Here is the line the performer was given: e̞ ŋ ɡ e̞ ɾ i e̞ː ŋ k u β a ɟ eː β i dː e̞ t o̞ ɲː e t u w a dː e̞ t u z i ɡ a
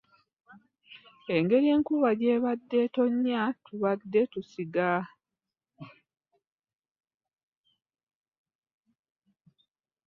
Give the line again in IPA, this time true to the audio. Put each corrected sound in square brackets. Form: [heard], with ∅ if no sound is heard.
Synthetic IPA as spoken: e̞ ŋ ɡ e̞ ɾ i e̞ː ŋ k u β a ɟ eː β [a] dː e̞ t o̞ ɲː [a] t u [β] a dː e̞ t u [s] i ɡ a